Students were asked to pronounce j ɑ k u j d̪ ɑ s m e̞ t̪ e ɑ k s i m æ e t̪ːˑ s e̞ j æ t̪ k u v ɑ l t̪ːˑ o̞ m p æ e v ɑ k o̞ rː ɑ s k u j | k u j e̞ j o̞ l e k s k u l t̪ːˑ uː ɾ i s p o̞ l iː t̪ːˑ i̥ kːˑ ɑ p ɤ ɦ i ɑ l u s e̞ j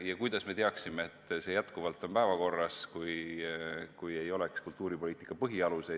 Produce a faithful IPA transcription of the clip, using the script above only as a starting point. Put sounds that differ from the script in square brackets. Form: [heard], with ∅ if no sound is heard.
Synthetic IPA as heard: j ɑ k u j d̪ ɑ s m e̞ t̪ e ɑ k s i m [e] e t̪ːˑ s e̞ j æ t̪ k u v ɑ l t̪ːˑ o̞ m p æ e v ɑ k o̞ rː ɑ s k u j | k u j e̞ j o̞ l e k s k u l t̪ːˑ uː ɾ i [∅] p o̞ l iː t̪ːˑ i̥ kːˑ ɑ p ɤ ɦ i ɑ l u s e̞ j